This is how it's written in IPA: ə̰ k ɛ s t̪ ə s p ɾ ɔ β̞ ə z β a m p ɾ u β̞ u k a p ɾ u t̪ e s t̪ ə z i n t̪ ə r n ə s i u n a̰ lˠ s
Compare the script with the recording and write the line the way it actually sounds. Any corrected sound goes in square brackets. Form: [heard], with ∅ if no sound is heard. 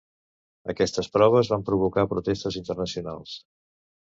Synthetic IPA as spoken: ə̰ k ɛ s t̪ ə s p ɾ ɔ β̞ ə z β a m p ɾ u β̞ u k a p ɾ u t̪ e s t̪ ə z i n t̪ ə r n ə s i u n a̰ lˠ s